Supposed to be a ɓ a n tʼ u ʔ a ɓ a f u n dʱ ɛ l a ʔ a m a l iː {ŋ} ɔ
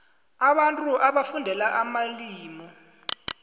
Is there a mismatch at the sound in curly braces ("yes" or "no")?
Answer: yes